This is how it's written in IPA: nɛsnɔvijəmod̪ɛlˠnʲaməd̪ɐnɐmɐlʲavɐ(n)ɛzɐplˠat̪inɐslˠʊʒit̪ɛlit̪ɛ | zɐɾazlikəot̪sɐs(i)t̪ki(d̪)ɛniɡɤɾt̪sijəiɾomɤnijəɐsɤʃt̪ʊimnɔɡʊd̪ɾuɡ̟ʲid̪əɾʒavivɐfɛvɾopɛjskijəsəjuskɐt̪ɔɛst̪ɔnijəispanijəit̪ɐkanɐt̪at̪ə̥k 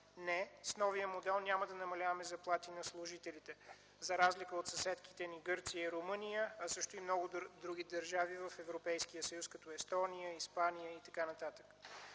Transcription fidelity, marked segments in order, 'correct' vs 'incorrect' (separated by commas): incorrect, incorrect, incorrect